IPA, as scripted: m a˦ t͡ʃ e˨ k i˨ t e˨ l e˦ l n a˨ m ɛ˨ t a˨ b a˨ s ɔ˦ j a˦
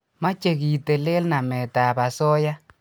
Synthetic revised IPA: m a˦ t͡ʃ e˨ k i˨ t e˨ l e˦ l n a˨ m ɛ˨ t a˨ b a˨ s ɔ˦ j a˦